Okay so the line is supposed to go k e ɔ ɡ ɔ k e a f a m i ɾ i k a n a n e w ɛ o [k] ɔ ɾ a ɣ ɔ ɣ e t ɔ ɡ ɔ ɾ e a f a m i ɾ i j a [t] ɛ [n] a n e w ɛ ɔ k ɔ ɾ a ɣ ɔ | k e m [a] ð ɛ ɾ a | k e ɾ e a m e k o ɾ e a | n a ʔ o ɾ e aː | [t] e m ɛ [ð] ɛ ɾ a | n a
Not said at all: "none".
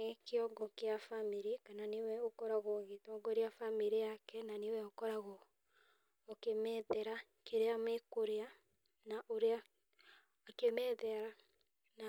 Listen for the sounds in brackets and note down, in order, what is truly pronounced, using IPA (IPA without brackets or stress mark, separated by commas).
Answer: k, k, n, ɛ, k, ð